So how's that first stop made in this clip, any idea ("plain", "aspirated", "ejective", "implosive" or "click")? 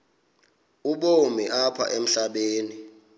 implosive